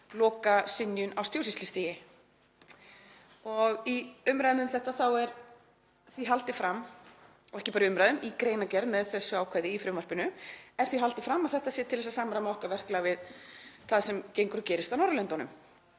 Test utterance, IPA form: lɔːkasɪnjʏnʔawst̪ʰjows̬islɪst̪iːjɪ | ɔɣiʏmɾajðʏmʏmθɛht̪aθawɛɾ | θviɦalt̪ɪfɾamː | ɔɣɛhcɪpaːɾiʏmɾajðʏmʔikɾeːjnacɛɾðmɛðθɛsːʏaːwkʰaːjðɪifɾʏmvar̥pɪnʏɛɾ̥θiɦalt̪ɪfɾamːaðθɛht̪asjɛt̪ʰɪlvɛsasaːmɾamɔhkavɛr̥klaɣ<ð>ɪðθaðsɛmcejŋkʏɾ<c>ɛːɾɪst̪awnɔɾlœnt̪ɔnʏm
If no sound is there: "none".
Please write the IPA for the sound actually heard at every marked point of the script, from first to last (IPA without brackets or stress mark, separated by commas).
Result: v, c